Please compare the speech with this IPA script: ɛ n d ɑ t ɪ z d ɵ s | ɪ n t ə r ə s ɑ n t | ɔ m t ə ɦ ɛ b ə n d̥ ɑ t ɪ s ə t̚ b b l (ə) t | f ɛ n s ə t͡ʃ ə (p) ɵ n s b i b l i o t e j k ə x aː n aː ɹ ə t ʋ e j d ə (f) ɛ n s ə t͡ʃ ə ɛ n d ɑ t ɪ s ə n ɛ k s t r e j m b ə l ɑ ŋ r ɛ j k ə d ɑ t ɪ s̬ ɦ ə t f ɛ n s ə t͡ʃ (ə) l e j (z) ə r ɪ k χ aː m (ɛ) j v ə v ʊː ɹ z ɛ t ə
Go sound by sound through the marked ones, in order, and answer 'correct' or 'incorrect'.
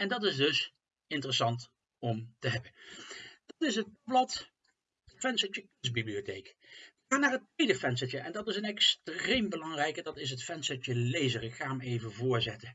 incorrect, incorrect, correct, correct, correct, incorrect

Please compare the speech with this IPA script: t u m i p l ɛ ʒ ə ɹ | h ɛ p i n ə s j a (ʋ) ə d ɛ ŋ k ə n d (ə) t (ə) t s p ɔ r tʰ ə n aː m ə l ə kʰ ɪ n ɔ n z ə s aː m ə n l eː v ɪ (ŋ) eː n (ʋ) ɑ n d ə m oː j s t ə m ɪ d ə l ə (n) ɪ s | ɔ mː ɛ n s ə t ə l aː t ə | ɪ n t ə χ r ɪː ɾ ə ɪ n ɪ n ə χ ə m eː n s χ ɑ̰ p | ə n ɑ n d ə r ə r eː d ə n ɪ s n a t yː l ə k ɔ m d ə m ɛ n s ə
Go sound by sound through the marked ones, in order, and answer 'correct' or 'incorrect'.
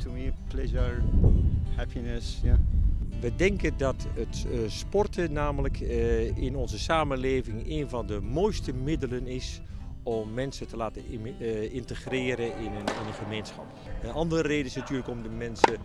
correct, incorrect, correct, correct, incorrect, correct

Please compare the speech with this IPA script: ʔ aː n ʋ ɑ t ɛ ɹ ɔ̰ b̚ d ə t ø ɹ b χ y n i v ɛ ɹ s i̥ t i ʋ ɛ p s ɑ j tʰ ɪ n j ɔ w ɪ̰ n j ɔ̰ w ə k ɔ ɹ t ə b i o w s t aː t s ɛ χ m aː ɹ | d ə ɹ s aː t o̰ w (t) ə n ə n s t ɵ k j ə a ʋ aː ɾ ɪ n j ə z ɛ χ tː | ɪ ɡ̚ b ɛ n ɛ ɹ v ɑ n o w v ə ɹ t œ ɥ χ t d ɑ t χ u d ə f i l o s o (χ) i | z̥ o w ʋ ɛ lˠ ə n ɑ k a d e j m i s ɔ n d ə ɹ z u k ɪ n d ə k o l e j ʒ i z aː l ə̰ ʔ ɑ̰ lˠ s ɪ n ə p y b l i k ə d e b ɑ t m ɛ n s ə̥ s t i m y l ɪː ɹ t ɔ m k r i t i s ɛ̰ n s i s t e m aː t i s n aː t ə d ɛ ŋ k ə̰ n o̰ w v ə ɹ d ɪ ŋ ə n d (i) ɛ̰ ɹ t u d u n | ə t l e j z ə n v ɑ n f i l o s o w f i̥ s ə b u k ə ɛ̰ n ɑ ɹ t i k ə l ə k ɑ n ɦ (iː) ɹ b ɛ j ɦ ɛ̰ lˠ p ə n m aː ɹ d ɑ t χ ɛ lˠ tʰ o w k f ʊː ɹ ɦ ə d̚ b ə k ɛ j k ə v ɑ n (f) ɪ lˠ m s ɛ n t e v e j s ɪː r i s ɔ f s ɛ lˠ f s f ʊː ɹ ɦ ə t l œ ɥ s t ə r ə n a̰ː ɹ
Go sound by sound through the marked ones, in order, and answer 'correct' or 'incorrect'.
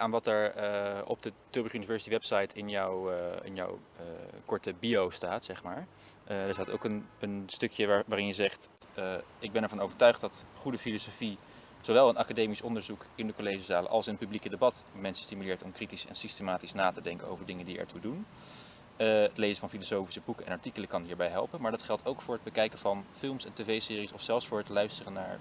incorrect, incorrect, correct, correct, correct

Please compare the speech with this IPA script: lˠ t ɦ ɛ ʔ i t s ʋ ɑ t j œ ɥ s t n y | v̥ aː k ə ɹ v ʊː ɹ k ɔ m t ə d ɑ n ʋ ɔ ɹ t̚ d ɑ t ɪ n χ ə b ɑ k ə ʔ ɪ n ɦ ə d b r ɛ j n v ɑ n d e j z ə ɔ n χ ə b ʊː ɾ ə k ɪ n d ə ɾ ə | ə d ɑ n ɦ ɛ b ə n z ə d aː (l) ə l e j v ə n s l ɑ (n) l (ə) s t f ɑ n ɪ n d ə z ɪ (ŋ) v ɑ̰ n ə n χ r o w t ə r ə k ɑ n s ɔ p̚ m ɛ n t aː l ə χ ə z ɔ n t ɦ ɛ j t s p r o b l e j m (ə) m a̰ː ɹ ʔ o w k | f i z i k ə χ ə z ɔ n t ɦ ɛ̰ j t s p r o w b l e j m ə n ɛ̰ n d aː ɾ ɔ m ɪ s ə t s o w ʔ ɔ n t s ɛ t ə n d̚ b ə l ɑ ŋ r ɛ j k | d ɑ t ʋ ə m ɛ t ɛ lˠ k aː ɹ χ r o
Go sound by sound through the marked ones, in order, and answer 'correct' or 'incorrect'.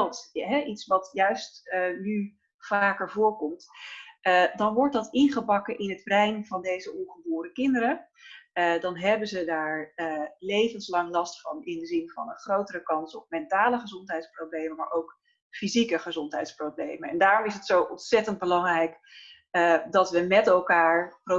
incorrect, incorrect, incorrect, incorrect, correct

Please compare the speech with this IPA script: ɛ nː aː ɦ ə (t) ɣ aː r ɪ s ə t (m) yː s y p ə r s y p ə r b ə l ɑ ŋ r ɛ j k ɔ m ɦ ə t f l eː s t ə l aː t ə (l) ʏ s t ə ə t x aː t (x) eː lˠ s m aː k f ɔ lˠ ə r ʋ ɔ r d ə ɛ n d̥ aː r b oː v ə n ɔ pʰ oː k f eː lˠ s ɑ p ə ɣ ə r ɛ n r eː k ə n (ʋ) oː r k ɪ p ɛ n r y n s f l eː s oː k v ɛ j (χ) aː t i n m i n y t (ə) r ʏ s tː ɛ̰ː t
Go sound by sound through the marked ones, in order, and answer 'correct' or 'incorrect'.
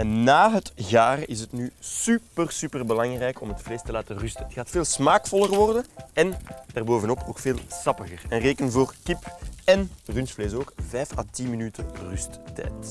correct, incorrect, incorrect, incorrect, incorrect, incorrect, correct

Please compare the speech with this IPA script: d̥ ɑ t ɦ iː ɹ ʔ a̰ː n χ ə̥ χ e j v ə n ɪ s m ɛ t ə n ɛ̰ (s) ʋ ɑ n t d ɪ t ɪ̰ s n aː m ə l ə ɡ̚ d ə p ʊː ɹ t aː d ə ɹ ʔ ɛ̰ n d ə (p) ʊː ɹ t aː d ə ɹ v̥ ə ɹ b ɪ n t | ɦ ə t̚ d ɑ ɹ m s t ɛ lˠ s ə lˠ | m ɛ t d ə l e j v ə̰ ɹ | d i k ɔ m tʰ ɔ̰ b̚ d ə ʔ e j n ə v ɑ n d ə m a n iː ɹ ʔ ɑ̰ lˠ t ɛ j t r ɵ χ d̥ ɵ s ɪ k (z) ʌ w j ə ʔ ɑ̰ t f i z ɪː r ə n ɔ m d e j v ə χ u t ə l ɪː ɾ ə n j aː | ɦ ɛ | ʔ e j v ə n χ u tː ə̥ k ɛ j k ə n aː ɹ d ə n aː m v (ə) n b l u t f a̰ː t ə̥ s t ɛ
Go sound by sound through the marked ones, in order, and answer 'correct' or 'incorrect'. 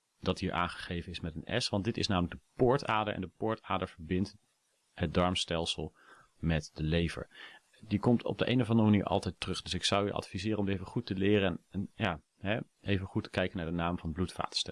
correct, correct, incorrect, incorrect

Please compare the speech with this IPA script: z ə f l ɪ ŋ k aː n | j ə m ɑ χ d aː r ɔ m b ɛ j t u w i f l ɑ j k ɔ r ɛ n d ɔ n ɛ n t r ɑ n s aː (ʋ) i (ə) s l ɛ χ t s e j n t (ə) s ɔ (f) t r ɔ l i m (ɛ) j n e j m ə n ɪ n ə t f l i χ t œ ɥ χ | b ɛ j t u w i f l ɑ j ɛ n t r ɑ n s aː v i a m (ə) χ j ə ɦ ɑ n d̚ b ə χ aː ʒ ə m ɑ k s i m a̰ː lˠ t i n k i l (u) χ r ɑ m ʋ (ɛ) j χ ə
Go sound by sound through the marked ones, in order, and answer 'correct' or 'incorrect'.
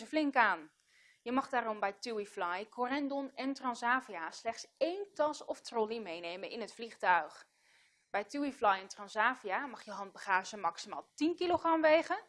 incorrect, incorrect, incorrect, correct, incorrect, incorrect, incorrect, incorrect

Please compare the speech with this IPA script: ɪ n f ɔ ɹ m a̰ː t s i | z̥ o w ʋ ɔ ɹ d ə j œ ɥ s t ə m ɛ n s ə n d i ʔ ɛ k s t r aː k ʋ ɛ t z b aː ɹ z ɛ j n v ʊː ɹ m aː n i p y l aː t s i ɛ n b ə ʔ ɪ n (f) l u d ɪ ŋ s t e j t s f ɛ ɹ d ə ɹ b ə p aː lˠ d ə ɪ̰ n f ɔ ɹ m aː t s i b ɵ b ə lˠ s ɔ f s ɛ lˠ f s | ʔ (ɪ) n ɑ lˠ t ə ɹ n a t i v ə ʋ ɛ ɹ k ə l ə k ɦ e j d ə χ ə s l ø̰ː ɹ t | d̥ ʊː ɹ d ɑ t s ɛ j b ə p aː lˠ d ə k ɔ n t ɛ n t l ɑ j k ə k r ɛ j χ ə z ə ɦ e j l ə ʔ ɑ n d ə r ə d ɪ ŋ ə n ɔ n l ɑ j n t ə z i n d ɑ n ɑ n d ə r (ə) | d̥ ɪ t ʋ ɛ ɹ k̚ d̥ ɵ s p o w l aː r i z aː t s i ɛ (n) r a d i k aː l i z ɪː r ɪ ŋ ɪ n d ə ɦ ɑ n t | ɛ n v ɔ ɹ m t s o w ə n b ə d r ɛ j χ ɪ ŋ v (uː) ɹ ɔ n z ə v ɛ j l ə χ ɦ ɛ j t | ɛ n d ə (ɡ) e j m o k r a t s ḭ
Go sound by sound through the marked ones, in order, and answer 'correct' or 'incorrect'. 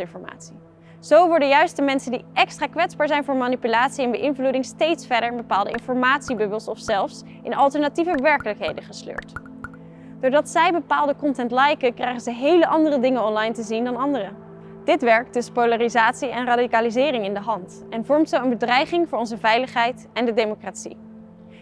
incorrect, correct, correct, correct, incorrect, incorrect

